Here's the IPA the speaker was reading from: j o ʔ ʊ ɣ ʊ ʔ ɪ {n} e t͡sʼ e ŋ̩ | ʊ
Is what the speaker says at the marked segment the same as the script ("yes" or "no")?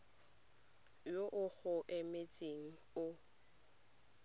no